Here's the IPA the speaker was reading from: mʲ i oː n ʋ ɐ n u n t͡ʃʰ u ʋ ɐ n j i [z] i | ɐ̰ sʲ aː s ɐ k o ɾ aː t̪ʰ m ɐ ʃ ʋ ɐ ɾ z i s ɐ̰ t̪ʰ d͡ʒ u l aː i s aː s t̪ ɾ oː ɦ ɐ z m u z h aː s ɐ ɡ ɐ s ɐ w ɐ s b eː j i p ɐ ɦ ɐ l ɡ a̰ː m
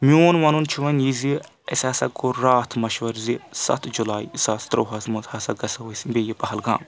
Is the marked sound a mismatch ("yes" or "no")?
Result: no